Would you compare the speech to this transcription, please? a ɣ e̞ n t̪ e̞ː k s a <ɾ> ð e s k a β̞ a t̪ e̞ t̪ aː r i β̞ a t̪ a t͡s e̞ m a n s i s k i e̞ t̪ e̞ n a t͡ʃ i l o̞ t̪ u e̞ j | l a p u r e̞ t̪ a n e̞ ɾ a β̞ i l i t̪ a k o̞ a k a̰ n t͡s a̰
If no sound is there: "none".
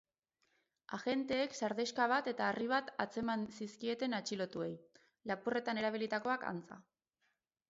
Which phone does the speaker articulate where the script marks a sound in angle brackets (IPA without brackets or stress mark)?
ɾ